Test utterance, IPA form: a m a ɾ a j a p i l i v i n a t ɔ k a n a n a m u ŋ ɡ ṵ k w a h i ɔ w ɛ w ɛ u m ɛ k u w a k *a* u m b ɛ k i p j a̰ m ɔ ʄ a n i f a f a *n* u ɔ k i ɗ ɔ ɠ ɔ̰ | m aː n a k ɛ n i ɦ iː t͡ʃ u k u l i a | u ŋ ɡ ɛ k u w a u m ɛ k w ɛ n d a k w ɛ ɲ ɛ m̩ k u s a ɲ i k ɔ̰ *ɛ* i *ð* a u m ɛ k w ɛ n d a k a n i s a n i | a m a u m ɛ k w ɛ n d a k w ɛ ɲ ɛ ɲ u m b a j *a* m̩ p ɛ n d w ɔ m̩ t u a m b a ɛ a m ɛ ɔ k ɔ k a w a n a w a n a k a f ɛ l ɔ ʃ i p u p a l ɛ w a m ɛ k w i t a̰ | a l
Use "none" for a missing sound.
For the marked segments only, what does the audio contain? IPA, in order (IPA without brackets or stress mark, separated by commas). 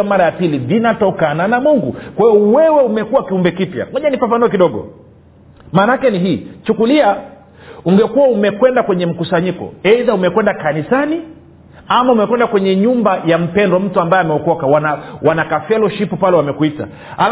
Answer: i, n, ɛ, ð, a